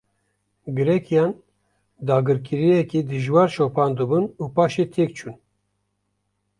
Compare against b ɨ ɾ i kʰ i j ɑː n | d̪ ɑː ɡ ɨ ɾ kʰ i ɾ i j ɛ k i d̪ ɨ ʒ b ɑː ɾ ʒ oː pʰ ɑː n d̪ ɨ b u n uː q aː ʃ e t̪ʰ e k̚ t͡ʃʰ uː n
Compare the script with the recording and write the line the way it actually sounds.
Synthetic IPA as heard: ɡ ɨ ɾ ɛ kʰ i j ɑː n | d̪ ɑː ɡ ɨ ɾ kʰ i ɾ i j ɛ k i d̪ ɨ ʒ w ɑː ɾ ʃ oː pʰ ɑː n d̪ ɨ b u n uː p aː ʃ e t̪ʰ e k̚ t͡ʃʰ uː n